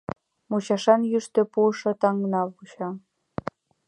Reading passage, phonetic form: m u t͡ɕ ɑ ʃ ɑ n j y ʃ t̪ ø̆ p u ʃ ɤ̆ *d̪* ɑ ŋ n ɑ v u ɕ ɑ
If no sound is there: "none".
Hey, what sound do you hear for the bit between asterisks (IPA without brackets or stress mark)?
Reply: t̪